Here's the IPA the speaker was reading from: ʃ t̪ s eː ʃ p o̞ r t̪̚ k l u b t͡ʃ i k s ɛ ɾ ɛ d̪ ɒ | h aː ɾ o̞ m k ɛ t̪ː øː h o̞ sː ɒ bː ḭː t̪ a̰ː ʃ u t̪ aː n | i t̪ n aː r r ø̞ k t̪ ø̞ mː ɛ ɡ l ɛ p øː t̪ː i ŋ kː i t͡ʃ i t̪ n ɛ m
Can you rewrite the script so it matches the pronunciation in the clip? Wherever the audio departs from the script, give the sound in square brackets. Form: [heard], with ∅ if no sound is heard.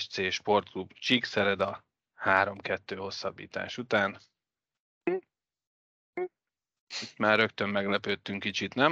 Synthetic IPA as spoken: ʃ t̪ s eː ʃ p o̞ r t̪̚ k l u b t͡ʃ i k s ɛ ɾ ɛ d̪ ɒ | h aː ɾ o̞ m k ɛ t̪ː øː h o̞ sː ɒ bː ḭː t̪ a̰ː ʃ u t̪ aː n | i t̪ [m] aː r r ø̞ k t̪ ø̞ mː ɛ ɡ l ɛ p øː t̪ː [y] ŋ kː i t͡ʃ i t̪ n ɛ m